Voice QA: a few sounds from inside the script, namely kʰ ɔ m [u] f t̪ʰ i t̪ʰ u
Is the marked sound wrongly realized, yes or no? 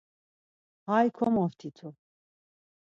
yes